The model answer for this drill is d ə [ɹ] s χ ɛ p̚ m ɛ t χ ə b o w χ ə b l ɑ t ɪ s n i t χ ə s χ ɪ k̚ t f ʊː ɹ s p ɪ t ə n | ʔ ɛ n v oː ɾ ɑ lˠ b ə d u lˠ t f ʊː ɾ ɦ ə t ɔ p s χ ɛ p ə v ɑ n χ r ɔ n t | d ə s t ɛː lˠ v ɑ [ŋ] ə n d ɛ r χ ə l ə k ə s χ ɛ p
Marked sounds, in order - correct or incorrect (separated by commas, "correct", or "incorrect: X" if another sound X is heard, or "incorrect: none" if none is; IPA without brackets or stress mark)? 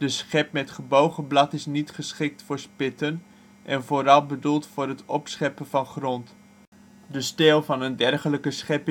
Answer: incorrect: none, incorrect: n